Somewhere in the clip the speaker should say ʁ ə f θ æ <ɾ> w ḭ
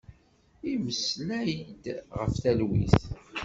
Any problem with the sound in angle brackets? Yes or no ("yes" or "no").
yes